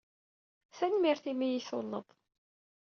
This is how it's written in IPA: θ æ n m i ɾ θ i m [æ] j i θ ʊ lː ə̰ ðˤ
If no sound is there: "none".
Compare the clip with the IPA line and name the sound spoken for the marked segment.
i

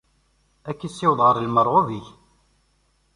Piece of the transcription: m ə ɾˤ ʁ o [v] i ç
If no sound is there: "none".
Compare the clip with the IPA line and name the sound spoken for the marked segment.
v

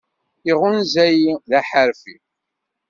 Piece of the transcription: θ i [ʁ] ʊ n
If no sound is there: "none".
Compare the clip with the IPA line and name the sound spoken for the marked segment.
ʁ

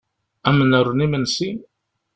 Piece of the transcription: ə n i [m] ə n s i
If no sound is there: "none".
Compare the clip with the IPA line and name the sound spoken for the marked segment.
m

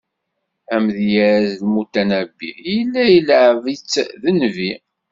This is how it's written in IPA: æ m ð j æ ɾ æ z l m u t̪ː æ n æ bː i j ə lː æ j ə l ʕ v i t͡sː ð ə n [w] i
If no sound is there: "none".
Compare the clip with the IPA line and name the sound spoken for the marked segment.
v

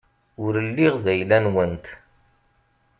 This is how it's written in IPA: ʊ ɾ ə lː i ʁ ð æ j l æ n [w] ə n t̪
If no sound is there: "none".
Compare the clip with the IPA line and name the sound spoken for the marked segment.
w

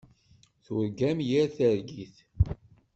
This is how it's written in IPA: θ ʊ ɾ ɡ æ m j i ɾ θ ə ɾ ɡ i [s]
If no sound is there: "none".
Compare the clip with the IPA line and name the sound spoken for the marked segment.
θ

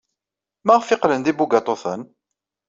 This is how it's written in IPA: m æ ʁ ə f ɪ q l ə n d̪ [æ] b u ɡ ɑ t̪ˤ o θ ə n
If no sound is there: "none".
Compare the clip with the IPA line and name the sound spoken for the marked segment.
i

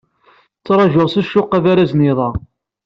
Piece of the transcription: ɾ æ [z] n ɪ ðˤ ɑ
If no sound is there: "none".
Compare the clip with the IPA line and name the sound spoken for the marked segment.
z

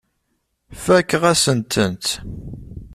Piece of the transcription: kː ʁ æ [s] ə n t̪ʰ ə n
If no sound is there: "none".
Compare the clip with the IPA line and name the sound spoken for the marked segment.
s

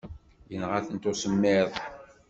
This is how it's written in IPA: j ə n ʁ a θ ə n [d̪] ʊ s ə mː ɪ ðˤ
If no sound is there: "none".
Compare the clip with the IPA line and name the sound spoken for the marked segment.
t̪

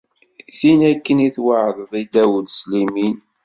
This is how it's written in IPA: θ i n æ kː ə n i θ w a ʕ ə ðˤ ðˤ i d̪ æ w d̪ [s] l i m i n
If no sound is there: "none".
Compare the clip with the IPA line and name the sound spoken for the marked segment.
s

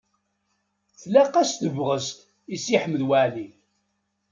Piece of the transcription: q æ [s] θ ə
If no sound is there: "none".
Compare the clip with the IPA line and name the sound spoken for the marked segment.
s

